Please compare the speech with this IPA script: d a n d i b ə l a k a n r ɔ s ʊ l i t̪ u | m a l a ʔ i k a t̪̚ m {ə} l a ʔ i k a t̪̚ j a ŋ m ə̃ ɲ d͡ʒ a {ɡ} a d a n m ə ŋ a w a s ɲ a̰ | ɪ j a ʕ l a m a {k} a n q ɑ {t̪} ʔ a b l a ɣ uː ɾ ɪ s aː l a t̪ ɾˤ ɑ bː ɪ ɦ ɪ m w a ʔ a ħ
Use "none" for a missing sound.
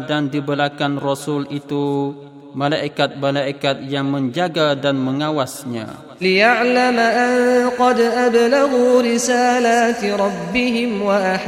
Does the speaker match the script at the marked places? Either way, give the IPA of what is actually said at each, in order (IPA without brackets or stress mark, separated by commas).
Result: a, ɡ, ʔ, d̪